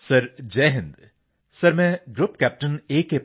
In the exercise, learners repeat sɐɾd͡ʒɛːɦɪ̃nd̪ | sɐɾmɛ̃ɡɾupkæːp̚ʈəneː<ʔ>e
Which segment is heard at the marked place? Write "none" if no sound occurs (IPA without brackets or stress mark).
k